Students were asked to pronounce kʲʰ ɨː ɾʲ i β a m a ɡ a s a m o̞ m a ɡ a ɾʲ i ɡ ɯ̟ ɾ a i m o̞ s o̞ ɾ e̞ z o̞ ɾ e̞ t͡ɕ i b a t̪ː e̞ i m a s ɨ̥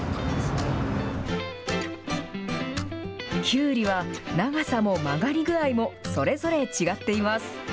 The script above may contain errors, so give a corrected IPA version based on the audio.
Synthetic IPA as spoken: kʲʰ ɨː ɾʲ i β a n a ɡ a s a m o̞ m a ɡ a ɾʲ i ɡ ɯ̟ ɾ a i m o̞ s o̞ ɾ e̞ z o̞ ɾ e̞ t͡ɕ i ɡ a t̪ː e̞ i m a s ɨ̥